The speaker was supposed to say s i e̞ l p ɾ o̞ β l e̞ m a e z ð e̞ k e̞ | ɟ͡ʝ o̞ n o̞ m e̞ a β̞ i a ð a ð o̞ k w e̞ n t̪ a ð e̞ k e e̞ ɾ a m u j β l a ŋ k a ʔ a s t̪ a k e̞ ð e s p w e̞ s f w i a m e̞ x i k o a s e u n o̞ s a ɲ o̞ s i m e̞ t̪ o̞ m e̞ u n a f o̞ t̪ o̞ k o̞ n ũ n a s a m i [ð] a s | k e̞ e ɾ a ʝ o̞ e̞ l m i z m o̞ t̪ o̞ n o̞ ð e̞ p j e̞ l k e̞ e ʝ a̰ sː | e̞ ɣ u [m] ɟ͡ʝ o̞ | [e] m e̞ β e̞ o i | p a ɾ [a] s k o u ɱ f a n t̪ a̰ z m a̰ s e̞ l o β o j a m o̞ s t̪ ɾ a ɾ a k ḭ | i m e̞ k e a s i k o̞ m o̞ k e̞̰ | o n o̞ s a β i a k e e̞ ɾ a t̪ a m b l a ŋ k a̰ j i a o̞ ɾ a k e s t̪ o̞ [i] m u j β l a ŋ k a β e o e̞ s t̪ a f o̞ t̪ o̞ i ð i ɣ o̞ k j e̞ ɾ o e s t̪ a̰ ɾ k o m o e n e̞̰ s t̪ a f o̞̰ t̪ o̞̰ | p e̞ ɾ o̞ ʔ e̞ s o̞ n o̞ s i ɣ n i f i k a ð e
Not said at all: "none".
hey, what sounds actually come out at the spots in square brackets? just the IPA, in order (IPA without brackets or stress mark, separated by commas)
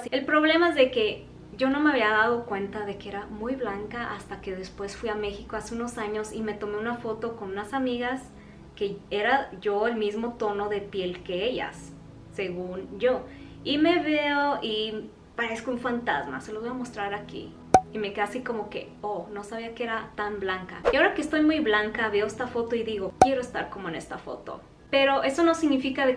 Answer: ɣ, n, i, e, j